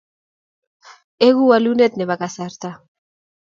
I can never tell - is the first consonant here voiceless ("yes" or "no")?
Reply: no